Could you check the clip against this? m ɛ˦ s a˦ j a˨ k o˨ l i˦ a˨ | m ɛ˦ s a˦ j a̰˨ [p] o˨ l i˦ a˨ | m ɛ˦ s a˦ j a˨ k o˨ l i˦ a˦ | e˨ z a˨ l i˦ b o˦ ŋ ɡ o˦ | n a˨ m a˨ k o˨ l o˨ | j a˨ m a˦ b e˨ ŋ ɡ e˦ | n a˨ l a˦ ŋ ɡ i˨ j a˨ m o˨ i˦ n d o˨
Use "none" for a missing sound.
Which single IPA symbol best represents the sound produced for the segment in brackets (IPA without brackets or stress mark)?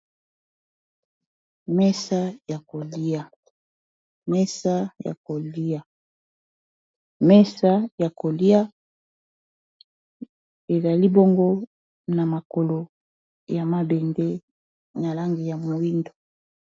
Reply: k